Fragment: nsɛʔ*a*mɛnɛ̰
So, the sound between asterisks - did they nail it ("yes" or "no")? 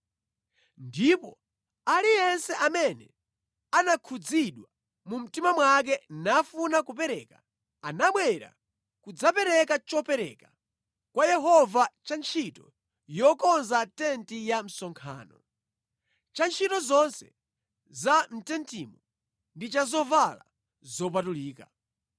yes